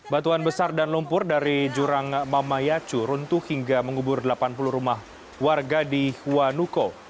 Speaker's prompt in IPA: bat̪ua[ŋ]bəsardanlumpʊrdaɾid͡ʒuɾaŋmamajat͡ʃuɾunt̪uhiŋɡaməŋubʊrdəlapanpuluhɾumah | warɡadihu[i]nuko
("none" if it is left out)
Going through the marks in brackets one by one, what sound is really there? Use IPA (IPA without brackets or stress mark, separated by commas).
n, a